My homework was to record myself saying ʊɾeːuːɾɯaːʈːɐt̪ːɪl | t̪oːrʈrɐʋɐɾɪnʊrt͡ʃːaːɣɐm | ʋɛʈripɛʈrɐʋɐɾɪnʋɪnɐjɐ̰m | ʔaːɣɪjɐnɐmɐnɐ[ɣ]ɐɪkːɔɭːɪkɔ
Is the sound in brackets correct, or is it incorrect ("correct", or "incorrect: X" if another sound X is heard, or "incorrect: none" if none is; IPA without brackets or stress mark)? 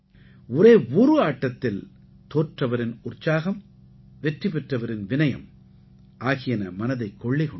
incorrect: ð